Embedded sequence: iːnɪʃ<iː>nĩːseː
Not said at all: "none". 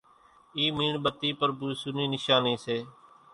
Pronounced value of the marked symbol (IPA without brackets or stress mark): aː